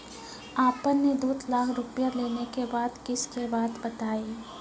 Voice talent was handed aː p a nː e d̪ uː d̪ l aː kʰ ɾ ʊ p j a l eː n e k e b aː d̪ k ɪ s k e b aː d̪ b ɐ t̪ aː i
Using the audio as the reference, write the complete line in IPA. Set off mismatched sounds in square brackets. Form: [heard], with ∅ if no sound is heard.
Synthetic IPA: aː p [ə] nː e d̪ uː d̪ l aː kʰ ɾ ʊ p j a l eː n e k e b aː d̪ k ɪ s k e b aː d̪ b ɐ t̪ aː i